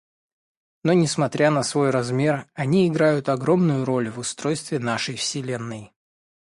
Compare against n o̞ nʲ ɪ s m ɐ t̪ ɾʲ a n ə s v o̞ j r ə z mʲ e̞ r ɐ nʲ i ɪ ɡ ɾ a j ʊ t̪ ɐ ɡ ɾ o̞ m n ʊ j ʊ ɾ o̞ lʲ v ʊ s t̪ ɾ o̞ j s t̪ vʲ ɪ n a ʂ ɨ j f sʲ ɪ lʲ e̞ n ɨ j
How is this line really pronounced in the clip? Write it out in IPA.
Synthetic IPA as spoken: n o̞ nʲ ɪ s m ɐ t̪ ɾʲ a n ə s v o̞ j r ɐ z mʲ e̞ r ɐ nʲ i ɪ ɡ ɾ a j ʊ t̪ ɐ ɡ ɾ o̞ m n ʊ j ʊ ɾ o̞ lʲ v ʊ s t̪ ɾ o̞ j s t̪ vʲ ɪ n a ʂ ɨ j f sʲ ɪ lʲ e̞ nː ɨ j